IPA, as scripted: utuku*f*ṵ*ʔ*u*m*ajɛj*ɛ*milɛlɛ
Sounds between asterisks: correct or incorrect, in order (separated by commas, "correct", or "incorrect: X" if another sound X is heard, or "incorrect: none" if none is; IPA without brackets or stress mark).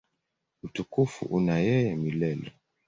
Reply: correct, correct, incorrect: n, correct